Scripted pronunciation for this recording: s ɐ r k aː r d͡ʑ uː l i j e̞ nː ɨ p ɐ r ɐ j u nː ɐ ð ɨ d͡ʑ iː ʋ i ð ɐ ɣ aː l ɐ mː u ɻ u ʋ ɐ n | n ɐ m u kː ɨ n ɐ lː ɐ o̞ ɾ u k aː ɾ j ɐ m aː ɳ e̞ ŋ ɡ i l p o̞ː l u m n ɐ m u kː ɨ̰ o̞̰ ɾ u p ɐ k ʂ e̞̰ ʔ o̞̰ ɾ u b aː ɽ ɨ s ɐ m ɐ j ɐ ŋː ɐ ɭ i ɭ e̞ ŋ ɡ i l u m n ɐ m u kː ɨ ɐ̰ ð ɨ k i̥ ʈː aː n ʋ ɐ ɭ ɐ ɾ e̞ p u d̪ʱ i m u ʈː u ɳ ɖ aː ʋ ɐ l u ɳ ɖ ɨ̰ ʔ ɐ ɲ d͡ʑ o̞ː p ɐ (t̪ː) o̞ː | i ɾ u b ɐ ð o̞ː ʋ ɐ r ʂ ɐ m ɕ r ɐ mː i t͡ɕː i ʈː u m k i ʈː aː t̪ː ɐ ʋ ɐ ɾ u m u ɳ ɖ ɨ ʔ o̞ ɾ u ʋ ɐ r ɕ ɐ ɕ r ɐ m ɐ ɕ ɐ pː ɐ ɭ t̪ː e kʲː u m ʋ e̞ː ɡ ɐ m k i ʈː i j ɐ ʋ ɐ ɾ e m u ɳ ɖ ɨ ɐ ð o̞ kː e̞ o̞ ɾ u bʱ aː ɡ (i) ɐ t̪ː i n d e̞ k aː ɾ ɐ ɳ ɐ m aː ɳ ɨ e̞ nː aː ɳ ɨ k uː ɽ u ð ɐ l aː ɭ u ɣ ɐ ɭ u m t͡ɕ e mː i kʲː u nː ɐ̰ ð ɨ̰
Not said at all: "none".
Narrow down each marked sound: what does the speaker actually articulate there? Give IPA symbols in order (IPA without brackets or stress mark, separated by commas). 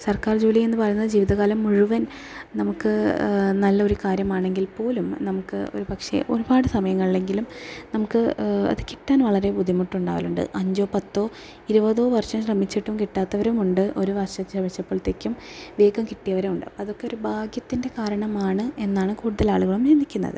t̪ː, j